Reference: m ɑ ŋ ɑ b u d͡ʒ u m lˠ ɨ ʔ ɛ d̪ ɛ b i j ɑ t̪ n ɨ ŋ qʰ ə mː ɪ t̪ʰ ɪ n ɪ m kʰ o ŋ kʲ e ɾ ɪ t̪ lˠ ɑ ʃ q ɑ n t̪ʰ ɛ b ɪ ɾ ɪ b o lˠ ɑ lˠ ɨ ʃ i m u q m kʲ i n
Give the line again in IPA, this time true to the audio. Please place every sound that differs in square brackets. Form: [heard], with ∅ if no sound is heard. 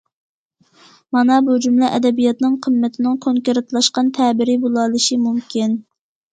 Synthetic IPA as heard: m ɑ [n] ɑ b u d͡ʒ u m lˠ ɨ ʔ ɛ d̪ ɛ b i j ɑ t̪ n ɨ ŋ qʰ ə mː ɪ t̪ʰ ɪ n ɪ [ŋ] kʰ o ŋ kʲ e ɾ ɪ t̪ lˠ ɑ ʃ q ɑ n t̪ʰ ɛ b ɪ ɾ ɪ b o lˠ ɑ lˠ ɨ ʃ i m u [∅] m kʲ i n

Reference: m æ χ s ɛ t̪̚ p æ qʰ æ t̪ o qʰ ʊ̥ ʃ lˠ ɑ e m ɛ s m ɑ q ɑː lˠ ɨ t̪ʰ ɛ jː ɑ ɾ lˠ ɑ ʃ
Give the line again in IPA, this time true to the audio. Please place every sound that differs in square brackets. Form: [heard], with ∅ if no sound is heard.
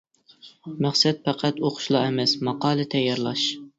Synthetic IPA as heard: m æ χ s ɛ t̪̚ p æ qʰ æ t̪ o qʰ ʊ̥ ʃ lˠ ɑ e m ɛ s m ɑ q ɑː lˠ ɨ t̪ʰ ɛ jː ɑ ɾ lˠ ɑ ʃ

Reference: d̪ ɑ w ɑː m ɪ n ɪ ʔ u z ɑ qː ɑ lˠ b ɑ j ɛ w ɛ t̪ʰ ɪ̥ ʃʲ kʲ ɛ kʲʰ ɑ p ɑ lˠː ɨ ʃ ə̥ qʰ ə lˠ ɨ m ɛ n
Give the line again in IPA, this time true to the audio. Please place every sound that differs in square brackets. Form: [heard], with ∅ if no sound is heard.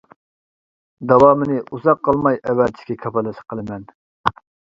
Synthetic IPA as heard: d̪ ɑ w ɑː m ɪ n ɪ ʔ u z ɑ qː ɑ lˠ [m] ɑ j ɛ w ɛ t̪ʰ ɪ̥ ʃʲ kʲ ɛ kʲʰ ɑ p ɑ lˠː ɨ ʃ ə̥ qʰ ə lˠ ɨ m ɛ n

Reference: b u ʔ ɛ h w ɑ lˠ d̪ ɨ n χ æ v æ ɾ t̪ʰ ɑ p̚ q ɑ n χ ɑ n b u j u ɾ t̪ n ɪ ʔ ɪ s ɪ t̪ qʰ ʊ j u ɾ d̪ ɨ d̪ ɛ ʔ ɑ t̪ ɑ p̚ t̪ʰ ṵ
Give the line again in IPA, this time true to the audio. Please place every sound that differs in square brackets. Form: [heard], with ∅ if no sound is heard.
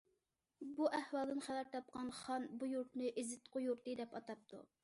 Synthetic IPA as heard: b u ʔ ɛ h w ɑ lˠ d̪ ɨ n χ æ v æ ɾ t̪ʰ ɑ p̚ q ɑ n χ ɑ n b u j u ɾ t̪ n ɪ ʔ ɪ [z] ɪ t̪ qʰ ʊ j u ɾ [t̪] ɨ d̪ ɛ [p] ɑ t̪ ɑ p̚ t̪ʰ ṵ

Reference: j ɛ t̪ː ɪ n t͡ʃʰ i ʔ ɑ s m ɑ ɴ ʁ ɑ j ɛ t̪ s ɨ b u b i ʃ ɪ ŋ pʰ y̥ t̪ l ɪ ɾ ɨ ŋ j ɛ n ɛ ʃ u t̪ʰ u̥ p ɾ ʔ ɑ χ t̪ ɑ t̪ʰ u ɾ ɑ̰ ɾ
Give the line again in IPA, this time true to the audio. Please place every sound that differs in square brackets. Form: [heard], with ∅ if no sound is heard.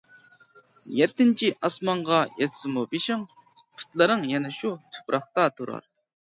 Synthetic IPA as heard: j ɛ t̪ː ɪ n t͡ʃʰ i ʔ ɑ s m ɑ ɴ ʁ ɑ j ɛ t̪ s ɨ [m] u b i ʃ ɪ ŋ pʰ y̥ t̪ l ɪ ɾ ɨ ŋ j ɛ n ɛ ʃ u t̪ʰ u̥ p ɾ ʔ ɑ χ t̪ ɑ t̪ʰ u ɾ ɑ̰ ɾ

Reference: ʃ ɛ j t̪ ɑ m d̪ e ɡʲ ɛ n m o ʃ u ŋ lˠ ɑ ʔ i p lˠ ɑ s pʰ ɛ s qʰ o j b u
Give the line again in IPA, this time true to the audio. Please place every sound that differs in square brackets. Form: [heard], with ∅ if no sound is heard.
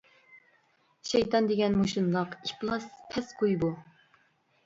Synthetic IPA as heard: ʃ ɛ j t̪ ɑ [n] d̪ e ɡʲ ɛ n m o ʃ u [n] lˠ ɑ [q] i p lˠ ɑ s pʰ ɛ s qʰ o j b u

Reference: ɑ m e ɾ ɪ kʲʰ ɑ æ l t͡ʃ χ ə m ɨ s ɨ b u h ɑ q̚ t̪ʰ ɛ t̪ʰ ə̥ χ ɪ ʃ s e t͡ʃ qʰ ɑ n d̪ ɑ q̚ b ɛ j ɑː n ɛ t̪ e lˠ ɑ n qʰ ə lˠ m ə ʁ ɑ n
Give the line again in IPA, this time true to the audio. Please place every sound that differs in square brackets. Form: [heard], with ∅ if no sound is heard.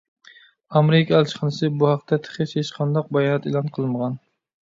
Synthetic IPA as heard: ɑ m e ɾ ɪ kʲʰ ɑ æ l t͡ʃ χ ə [n] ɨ s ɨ b u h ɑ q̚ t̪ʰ ɛ t̪ʰ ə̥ χ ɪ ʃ [h] e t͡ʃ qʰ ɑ n d̪ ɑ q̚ b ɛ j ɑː n ɛ t̪ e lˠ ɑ n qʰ ə lˠ m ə ʁ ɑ n

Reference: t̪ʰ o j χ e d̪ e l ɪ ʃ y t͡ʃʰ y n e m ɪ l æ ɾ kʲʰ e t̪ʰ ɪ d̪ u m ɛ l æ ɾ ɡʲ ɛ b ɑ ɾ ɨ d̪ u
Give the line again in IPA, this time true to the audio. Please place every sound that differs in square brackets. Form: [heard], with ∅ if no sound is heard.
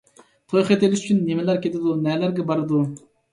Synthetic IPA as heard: t̪ʰ o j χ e [t̪] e l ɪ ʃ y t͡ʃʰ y [nː] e m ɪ l æ ɾ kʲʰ e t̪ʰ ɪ d̪ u [n] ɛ l æ ɾ ɡʲ ɛ b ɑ ɾ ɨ d̪ u

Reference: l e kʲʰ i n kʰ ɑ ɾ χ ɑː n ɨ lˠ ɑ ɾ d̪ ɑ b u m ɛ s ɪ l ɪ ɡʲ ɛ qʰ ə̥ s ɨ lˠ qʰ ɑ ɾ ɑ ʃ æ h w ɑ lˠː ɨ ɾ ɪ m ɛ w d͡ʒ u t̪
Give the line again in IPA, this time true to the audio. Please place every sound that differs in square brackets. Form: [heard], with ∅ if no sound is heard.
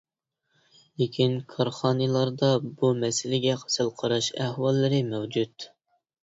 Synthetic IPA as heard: l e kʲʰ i n kʰ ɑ ɾ χ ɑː n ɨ lˠ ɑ ɾ d̪ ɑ b u m ɛ s ɪ l ɪ ɡʲ ɛ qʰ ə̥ s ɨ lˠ qʰ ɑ ɾ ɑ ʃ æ h w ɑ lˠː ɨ ɾ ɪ m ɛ w d͡ʒ u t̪

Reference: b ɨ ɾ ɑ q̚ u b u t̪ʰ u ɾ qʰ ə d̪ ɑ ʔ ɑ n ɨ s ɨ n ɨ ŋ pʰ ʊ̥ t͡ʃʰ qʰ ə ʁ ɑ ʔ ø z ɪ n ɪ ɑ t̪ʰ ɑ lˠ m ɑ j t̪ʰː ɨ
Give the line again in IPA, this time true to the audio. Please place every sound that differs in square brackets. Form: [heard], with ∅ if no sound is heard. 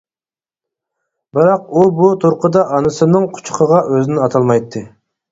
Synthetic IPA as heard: b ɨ ɾ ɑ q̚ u b u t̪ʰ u ɾ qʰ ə d̪ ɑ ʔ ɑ n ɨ s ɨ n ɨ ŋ [qʰ] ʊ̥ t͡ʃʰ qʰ ə ʁ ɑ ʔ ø z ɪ n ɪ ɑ t̪ʰ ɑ lˠ m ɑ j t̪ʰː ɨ

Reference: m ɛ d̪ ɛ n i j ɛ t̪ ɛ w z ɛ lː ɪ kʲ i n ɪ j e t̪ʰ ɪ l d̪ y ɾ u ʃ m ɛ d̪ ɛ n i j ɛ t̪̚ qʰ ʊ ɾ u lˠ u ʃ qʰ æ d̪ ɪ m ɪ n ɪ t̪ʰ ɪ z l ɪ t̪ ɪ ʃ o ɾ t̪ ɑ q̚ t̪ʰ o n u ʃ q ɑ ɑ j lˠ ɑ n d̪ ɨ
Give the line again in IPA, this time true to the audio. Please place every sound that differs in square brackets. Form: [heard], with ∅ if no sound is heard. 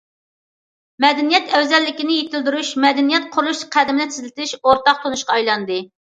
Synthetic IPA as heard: m ɛ d̪ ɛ n i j ɛ t̪ ɛ w z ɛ lː ɪ kʲ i n ɪ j e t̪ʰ ɪ l d̪ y ɾ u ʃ m ɛ d̪ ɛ n i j ɛ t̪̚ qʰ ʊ ɾ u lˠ u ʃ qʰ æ d̪ ɪ m ɪ n ɪ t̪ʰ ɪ z l ɪ t̪ ɪ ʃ o ɾ t̪ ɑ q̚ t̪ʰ o n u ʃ q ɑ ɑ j lˠ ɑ n d̪ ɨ

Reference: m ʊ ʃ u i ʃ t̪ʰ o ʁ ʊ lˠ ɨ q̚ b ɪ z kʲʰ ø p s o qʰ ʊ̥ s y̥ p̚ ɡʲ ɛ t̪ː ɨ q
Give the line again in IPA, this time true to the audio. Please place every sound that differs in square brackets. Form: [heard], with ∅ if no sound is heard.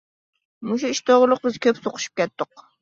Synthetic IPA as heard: m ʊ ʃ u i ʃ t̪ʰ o ʁ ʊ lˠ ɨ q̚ b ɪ z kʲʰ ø p s o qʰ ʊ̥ [ʃ] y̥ p̚ [kʲ] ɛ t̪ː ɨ q

